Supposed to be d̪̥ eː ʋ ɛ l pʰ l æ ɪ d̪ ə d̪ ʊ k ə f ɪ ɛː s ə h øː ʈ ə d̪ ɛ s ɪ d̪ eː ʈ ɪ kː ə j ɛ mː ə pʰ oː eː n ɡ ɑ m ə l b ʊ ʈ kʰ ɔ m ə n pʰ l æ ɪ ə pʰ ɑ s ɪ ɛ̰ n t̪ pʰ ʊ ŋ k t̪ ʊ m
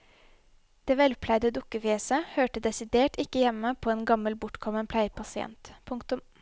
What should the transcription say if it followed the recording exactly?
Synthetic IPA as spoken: d̪̥ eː ʋ ɛ l pʰ l æ ɪ d̪ ə d̪ ʊ k ə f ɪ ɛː s ə h øː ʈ ə d̪ ɛ s ɪ d̪ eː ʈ ɪ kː ə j ɛ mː ə pʰ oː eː n ɡ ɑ m ə l b ʊ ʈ kʰ ɔ m ə n pʰ l æ ɪ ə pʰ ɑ s ɪ ɛ̰ n t̪ pʰ ʊ ŋ k t̪ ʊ m